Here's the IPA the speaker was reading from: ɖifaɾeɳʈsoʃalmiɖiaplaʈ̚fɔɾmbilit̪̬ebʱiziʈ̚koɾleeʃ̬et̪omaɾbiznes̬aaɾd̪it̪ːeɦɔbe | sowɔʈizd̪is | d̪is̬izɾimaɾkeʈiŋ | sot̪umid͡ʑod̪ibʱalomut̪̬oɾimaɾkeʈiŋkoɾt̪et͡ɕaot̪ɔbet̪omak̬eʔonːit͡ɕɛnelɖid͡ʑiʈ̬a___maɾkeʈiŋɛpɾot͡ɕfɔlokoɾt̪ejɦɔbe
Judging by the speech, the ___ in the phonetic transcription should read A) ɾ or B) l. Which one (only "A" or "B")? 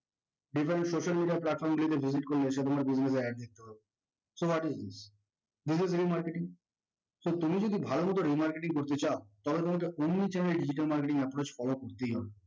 B